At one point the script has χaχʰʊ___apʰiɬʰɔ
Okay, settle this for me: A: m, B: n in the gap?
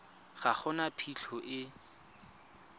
B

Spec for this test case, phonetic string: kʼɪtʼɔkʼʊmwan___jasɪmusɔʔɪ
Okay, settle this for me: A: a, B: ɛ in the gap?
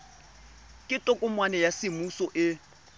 B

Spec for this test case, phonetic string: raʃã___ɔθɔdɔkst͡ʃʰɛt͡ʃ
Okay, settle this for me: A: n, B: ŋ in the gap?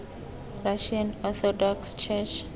A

